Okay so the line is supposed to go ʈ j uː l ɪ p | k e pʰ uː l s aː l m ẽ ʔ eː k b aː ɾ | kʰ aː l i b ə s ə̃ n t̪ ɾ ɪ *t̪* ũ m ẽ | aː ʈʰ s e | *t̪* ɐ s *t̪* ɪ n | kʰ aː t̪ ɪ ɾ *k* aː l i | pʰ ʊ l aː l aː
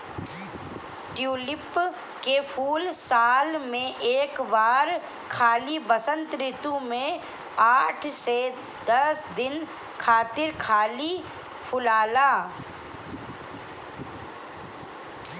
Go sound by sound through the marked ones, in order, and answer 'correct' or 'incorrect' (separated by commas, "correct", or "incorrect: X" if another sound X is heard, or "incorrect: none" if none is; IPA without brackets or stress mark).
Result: correct, incorrect: d̪, incorrect: d̪, incorrect: kʰ